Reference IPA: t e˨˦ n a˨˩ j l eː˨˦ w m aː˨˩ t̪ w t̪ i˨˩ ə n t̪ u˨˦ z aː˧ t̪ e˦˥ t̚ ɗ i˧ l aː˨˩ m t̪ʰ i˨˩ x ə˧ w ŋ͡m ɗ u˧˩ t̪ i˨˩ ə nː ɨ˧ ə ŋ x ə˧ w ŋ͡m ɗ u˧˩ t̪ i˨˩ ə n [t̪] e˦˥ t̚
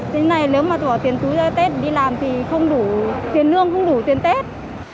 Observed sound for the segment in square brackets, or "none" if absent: t̪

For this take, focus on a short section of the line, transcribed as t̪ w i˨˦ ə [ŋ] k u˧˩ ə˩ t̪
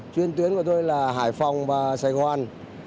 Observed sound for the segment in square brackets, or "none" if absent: n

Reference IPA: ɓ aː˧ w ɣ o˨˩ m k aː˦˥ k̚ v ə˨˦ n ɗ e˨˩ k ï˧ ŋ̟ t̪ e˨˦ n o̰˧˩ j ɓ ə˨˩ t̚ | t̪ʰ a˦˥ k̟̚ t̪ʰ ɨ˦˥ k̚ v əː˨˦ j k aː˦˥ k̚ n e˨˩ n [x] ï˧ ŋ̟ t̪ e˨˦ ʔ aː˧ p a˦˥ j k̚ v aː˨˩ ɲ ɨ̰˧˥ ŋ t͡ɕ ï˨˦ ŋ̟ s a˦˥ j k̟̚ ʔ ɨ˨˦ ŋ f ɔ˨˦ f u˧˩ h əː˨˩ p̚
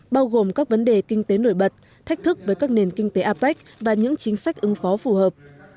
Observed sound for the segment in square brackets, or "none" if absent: k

